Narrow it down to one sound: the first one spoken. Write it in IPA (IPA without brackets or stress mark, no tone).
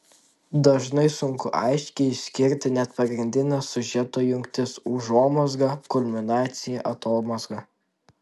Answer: d̪